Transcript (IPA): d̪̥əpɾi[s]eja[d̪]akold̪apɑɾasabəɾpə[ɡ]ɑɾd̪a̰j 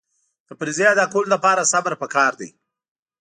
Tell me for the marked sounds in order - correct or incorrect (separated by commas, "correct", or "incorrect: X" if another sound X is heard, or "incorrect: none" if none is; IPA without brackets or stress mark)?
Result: incorrect: z, correct, incorrect: k